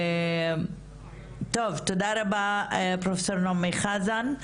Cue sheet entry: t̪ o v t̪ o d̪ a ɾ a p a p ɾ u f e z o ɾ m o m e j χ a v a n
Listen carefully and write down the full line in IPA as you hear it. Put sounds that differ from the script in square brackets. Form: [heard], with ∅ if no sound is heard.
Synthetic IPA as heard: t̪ o v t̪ o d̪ a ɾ a [b] a p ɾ [o] f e [s] o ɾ [n] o m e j χ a [z] a n